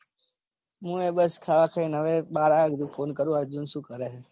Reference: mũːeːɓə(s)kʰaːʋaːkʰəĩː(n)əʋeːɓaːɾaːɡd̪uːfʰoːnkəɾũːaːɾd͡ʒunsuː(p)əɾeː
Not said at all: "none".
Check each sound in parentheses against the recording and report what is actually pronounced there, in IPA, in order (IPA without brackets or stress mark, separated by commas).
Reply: s, n, k